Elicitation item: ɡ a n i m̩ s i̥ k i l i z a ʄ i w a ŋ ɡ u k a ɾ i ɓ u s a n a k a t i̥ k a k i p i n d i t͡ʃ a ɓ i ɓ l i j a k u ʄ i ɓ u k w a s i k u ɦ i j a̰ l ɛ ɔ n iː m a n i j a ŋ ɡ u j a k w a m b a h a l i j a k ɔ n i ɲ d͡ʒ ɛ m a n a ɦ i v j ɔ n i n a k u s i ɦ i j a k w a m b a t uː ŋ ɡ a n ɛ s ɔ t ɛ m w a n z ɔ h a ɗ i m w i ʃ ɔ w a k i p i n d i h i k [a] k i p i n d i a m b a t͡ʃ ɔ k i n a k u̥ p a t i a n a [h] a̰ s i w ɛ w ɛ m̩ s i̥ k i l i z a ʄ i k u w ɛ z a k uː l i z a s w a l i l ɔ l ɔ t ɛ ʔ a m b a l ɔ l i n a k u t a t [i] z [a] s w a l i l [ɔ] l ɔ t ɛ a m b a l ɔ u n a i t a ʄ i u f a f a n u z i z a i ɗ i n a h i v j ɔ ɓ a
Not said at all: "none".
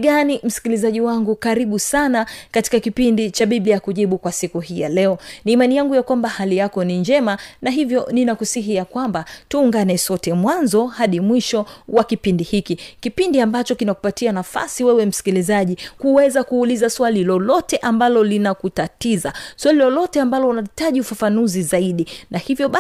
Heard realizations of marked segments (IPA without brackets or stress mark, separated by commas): i, f, i, a, ɔ